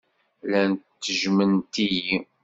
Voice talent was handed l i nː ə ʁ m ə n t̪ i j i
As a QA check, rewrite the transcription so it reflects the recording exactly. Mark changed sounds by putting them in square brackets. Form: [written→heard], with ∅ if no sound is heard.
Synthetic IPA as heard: l [i→æ] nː ə [ʁ→ʒ] m ə n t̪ i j i